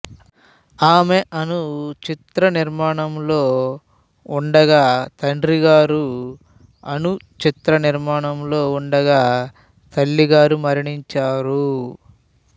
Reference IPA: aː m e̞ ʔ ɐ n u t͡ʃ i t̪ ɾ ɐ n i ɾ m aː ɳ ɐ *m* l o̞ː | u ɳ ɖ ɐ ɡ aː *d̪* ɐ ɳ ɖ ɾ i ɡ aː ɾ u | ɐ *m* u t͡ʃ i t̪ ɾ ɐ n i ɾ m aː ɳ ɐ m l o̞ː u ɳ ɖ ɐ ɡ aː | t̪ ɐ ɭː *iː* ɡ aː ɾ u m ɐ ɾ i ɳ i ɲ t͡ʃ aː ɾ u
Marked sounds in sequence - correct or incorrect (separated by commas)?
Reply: correct, incorrect, incorrect, incorrect